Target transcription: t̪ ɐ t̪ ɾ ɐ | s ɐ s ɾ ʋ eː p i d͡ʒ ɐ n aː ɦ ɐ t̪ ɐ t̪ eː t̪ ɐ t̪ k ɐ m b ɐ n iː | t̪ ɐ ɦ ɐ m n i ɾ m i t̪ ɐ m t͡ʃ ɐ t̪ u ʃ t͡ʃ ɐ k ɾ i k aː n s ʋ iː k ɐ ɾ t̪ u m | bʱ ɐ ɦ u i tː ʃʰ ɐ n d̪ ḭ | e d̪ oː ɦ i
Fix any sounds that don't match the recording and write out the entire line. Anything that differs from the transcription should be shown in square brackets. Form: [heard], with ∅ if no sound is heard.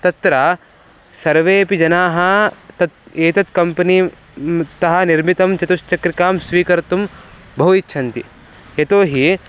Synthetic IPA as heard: t̪ ɐ t̪ ɾ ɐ | s ɐ [∅] ɾ ʋ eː p i d͡ʒ ɐ n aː ɦ ɐ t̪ ɐ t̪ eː t̪ ɐ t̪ k ɐ m [p] ɐ n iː | t̪ ɐ ɦ ɐ [∅] n i ɾ m i t̪ ɐ m t͡ʃ ɐ t̪ u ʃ t͡ʃ ɐ k ɾ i k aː [m] s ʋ iː k ɐ ɾ t̪ u m | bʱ ɐ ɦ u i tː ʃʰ ɐ n [t̪] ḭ | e [t̪] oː ɦ i